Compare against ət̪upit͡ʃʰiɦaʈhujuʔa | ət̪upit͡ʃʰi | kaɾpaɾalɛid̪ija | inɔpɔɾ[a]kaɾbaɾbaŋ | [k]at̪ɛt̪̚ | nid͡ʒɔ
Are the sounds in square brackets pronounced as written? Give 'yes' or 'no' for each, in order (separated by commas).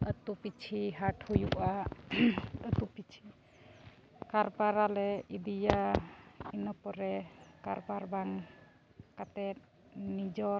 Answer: no, yes